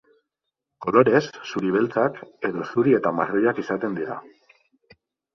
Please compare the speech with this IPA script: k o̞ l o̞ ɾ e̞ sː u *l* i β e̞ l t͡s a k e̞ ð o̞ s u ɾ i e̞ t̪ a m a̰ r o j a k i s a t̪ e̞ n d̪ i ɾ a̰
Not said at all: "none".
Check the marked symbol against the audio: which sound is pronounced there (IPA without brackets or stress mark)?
ɾ